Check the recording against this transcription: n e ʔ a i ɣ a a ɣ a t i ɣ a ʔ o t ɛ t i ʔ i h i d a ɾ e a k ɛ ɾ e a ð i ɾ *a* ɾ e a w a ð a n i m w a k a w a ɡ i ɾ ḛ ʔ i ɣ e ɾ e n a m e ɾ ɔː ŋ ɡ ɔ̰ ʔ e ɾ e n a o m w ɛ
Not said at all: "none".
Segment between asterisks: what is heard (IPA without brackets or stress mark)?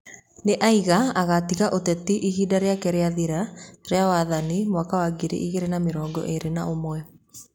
a